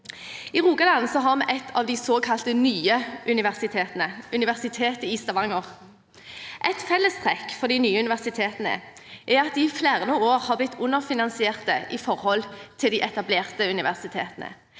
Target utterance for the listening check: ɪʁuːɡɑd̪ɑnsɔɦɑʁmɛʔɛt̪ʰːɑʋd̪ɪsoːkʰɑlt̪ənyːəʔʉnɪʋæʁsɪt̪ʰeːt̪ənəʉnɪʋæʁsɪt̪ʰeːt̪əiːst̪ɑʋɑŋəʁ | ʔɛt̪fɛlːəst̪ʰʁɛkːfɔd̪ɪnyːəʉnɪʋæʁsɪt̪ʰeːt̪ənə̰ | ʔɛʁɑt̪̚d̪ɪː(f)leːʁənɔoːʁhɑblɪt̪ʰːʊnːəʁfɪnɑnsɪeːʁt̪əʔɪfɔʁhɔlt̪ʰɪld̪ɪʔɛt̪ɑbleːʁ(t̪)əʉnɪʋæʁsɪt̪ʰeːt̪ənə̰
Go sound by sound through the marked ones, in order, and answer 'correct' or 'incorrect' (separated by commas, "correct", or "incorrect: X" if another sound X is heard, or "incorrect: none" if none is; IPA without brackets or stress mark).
correct, correct